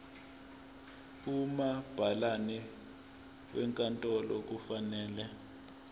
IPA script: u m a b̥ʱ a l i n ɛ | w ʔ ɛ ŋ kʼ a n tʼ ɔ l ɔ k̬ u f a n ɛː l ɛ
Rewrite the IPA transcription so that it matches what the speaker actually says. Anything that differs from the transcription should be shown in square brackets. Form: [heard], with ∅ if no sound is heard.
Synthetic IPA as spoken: u m a b̥ʱ a l [a] n ɛ | w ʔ ɛ ŋ kʼ a n tʼ ɔ l ɔ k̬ u f a n ɛː l ɛ